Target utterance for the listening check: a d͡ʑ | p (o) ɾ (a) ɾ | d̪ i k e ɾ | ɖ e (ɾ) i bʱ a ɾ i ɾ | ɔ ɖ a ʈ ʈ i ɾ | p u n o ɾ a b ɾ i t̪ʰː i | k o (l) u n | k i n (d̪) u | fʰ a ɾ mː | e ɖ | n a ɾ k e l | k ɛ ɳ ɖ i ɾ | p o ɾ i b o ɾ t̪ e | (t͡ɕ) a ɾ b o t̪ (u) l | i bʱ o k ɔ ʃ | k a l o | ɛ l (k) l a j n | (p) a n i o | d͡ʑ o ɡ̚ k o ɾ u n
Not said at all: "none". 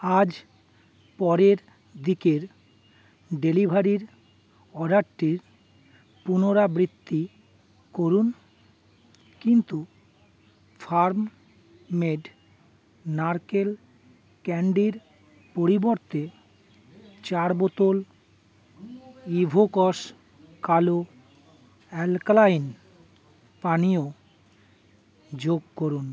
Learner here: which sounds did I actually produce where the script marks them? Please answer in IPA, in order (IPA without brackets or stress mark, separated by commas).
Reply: ɔ, e, l, ɾ, t̪, t͡ɕ, o, k, p